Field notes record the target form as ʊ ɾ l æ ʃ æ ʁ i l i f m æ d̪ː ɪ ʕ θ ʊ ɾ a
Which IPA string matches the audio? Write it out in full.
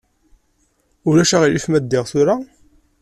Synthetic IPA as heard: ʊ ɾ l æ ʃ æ ʁ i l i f m æ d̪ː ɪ ʁ θ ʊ ɾ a